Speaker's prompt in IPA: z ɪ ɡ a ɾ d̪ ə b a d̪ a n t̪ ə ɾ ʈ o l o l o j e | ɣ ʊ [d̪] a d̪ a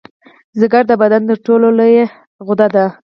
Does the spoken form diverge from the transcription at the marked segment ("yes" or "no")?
no